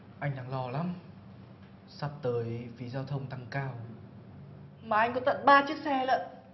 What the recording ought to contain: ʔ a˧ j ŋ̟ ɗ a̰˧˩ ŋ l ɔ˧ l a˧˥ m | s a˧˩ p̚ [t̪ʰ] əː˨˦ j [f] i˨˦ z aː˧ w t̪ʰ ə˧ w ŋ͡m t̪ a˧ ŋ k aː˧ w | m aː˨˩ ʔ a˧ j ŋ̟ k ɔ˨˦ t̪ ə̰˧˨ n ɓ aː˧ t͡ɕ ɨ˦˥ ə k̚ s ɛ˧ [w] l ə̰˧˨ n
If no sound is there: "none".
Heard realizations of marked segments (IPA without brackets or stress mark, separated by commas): t̪, f, none